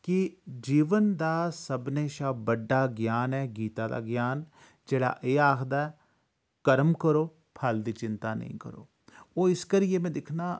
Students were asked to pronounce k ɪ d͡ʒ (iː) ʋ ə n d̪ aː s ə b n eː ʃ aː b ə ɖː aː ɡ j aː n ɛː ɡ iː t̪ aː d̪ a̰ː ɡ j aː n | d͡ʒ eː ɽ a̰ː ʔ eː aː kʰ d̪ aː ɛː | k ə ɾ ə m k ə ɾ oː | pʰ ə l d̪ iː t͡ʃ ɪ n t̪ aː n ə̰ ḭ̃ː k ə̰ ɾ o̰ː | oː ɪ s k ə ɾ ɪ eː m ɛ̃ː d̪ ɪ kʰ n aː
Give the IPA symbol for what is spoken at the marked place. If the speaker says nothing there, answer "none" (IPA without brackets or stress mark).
iː